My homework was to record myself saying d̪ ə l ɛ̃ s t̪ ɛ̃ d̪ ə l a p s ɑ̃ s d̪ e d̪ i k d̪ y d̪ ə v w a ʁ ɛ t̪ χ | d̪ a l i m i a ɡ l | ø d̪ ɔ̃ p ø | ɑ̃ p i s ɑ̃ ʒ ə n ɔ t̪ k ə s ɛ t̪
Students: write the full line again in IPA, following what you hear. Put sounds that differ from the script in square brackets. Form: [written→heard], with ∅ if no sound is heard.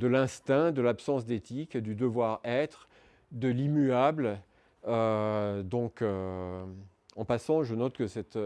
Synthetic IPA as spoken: d̪ ə l ɛ̃ s t̪ ɛ̃ d̪ ə l a p s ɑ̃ s d̪ e [d̪→t̪] i k d̪ y d̪ ə v w a ʁ ɛ t̪ χ | d̪ [a→ə] l i m [i→y] a [ɡ→b] l | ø d̪ ɔ̃ [p→k] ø | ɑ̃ p [i→a] s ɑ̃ ʒ ə n ɔ t̪ k ə s ɛ t̪